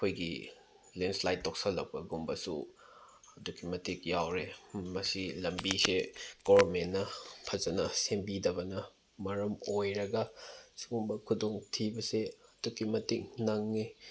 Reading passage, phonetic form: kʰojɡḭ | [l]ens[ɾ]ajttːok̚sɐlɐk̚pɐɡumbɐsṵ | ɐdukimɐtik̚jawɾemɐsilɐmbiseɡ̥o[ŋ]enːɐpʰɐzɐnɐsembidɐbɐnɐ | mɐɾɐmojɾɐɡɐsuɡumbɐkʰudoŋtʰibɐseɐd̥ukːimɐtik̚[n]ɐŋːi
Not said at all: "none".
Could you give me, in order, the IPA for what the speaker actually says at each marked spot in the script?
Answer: l, l, m, n

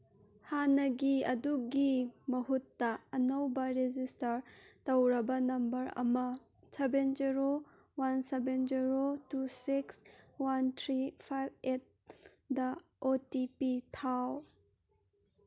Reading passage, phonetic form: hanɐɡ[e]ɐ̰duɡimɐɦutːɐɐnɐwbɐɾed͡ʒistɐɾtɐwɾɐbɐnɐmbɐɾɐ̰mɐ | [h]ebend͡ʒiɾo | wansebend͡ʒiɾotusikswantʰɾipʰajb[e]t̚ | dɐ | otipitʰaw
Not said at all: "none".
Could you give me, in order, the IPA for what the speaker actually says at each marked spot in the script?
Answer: i, s, e

